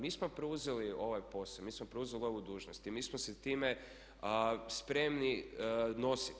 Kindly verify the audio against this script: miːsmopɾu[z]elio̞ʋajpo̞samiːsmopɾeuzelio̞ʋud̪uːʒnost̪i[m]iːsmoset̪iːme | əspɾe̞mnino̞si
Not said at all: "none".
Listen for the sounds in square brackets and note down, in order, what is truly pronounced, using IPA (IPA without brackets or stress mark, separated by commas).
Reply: z, m